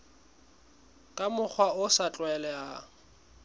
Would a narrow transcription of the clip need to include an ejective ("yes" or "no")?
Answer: yes